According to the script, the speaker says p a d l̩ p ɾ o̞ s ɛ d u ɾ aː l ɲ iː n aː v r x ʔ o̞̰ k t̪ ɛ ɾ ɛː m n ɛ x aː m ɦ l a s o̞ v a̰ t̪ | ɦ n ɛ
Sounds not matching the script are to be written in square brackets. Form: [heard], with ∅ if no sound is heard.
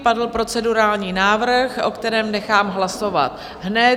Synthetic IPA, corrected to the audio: p a d l̩ p ɾ o̞ [t͡s] ɛ d u ɾ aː l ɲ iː n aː v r x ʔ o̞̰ k t̪ ɛ ɾ ɛː m n ɛ x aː m ɦ l a s o̞ v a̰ t̪ | ɦ n ɛ